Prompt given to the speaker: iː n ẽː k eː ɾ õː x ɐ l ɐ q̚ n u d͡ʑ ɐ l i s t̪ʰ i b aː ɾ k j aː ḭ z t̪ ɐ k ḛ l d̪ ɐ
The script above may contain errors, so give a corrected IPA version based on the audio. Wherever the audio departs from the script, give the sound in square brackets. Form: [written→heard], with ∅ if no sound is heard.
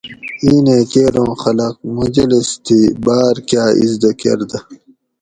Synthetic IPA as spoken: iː n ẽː k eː ɾ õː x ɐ l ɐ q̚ [n→m] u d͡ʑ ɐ l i s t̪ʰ i b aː ɾ k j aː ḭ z [t̪→d̪] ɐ k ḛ [l→ɾ] d̪ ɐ